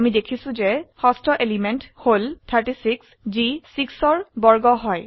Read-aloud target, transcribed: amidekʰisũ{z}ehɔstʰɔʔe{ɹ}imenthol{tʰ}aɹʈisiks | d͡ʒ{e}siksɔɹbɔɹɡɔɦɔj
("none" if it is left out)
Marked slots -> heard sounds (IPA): z, l, tʰ, i

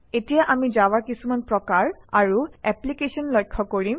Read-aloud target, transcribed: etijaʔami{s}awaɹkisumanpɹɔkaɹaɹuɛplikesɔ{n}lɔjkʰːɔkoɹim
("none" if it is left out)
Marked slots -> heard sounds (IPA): z, n

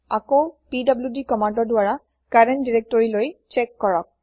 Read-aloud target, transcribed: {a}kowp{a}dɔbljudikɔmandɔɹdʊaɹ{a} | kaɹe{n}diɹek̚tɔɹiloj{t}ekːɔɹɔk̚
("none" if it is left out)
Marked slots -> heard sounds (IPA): a, i, a, n, t͡ʃ

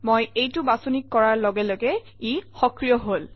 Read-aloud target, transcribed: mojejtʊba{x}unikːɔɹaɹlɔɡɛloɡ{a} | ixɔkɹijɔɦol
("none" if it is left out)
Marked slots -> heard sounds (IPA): s, ɛ

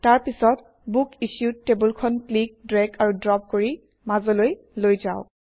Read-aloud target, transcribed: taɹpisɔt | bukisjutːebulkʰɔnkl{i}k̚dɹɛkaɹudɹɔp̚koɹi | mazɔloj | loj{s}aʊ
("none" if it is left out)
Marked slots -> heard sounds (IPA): i, z

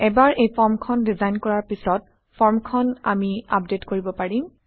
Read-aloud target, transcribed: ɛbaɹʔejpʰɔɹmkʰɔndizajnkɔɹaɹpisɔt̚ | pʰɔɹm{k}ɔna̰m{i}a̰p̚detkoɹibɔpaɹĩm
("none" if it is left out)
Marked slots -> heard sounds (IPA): kʰ, i

